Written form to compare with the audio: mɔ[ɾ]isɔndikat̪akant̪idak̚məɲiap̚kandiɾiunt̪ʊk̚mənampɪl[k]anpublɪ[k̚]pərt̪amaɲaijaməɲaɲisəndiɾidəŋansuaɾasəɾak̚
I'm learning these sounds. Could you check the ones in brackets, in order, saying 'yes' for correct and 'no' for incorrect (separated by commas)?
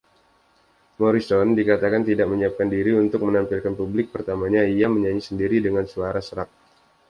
yes, yes, yes